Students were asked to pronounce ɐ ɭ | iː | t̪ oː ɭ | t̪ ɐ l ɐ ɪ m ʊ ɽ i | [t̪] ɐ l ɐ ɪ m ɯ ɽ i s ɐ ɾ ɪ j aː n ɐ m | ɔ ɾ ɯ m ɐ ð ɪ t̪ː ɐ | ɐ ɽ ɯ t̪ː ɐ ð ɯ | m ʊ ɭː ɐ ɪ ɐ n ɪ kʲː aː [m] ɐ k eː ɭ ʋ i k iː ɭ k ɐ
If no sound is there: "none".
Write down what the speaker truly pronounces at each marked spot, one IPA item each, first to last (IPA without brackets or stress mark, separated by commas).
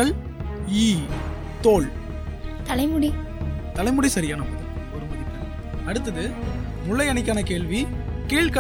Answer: t̪, n